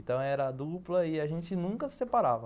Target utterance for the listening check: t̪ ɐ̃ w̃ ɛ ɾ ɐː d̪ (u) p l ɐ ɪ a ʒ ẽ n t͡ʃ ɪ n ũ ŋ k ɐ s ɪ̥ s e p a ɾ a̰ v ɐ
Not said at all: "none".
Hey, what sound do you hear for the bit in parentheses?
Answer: u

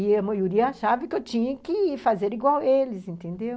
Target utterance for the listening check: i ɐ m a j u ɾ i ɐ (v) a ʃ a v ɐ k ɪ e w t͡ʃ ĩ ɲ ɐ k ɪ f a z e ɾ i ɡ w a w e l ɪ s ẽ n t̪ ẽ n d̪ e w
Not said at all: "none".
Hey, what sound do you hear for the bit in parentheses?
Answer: none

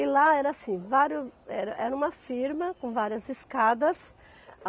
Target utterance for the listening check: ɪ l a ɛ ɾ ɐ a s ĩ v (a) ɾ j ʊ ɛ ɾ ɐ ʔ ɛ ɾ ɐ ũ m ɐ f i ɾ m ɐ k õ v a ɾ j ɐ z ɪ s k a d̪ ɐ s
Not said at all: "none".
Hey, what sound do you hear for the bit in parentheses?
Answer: a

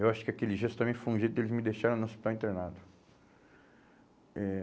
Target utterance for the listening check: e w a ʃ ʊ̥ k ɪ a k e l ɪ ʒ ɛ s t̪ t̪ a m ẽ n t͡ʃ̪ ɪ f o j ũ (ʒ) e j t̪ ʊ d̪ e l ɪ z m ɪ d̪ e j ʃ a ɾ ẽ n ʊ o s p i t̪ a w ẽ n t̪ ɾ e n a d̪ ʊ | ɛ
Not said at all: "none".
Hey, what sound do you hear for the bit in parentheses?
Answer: ʒ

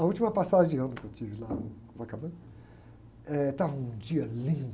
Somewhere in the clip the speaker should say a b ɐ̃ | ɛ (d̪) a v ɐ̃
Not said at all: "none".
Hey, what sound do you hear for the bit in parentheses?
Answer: t̪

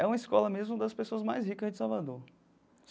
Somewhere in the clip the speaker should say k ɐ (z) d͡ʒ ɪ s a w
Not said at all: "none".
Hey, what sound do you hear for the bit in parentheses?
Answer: z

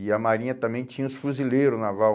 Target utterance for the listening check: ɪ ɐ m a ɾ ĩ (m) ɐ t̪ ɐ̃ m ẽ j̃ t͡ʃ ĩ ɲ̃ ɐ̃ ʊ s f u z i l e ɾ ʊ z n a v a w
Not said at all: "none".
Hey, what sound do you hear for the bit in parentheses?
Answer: ɲ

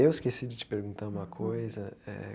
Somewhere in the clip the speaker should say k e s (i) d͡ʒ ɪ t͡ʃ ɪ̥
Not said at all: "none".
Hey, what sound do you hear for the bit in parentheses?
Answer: i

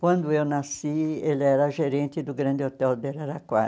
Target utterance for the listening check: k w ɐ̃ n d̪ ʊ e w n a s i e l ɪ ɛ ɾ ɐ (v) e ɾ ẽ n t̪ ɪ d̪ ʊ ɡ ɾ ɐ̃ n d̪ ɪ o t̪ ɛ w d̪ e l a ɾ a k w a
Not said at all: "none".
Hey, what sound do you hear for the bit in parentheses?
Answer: ʒ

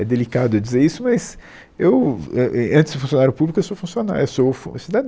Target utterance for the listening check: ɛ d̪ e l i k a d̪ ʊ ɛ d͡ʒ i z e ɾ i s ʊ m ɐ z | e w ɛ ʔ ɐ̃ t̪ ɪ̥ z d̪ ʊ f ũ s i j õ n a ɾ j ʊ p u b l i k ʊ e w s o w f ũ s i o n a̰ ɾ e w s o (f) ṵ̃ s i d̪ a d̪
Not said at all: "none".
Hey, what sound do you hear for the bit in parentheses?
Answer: f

